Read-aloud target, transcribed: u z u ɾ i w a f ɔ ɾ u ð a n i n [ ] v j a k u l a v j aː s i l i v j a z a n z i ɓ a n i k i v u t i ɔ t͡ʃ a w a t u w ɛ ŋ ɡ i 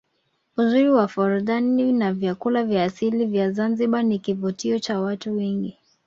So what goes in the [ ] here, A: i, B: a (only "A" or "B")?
B